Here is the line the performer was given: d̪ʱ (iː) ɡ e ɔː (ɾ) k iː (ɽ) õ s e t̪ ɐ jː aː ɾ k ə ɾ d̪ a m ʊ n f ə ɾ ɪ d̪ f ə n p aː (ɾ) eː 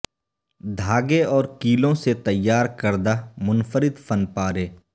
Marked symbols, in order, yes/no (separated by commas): no, yes, no, yes